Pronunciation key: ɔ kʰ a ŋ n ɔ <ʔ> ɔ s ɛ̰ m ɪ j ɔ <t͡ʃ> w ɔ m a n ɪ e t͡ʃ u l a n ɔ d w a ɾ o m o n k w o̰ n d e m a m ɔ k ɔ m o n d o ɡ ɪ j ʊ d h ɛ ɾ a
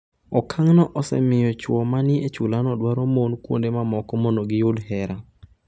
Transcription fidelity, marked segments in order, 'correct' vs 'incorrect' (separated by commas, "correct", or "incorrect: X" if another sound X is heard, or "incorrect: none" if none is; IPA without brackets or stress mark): correct, correct